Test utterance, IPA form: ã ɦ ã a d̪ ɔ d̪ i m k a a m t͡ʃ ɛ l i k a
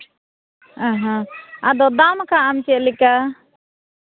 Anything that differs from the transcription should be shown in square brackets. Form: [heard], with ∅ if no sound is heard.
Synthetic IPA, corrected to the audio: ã ɦ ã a d̪ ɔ d̪ [a] m k a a m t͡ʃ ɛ l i k a